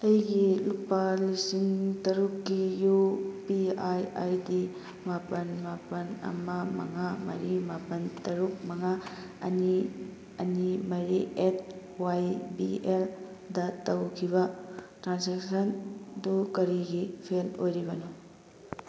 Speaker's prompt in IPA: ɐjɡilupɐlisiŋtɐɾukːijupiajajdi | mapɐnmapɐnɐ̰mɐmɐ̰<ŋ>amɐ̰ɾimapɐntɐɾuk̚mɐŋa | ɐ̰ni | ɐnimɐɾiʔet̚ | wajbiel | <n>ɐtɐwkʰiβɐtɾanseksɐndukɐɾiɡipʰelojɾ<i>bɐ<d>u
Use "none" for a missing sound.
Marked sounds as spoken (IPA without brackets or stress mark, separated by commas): ŋ, d, i, n